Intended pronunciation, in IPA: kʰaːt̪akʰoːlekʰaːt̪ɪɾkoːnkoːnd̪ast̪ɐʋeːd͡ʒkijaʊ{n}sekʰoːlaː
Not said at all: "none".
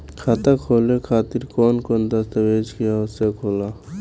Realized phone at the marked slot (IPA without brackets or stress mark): none